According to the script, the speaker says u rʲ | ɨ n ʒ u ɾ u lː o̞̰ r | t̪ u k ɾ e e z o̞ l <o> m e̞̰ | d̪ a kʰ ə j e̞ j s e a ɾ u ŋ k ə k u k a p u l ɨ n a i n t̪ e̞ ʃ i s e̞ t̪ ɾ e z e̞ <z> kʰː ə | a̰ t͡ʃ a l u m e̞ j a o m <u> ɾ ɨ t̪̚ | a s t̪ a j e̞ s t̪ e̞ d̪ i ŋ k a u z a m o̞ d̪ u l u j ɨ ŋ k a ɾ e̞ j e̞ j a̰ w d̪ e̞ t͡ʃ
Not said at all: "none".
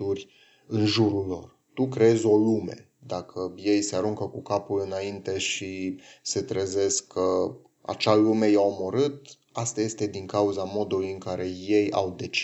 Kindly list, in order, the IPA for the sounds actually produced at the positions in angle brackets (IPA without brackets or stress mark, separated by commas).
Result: u, s, o